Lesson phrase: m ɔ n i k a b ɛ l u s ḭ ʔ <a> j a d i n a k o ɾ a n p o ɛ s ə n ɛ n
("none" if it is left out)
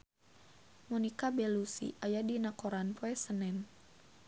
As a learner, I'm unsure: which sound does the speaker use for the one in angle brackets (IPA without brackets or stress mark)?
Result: a